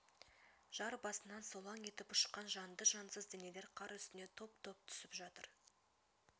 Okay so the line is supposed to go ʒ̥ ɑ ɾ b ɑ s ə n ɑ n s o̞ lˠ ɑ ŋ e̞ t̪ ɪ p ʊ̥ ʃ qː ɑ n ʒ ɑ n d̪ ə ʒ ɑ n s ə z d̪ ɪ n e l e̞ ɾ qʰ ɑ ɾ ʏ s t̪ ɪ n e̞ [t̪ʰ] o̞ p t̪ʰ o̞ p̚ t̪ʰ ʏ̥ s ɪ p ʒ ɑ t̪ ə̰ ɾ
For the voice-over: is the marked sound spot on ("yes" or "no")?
yes